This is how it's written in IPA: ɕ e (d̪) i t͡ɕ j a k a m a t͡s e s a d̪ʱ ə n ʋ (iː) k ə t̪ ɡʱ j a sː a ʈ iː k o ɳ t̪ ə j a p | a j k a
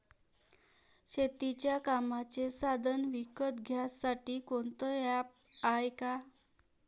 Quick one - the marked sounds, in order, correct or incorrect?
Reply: incorrect, incorrect

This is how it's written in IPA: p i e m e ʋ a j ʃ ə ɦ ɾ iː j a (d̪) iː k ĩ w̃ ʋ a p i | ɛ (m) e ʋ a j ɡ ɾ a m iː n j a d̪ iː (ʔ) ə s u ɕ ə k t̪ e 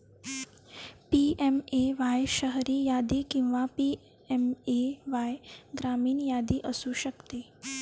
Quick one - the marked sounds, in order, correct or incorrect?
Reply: correct, correct, correct

